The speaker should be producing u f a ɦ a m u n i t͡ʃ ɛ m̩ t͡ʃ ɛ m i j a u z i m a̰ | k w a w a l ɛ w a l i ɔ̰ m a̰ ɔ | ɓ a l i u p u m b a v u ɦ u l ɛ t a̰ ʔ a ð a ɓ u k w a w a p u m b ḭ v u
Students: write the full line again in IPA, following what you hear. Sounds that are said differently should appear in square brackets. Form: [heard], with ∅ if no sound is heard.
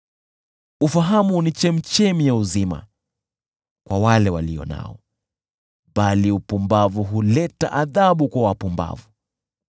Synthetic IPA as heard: u f a ɦ a m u n i t͡ʃ ɛ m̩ t͡ʃ ɛ m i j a u z i m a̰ | k w a w a l ɛ w a l i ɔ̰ [n] a̰ ɔ | ɓ a l i u p u m b a v u ɦ u l ɛ t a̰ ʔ a ð a ɓ u k w a w a p u m b [a̰] v u